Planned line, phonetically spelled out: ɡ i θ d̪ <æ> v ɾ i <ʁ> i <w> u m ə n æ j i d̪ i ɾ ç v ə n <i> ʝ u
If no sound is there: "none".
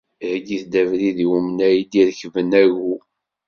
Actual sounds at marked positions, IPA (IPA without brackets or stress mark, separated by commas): æ, ð, w, æ